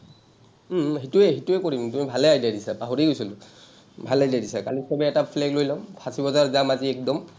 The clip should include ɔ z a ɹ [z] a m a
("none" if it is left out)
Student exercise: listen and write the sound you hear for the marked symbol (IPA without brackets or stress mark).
z